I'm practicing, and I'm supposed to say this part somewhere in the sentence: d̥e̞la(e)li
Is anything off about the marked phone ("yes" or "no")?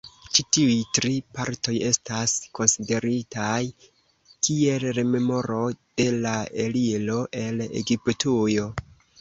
no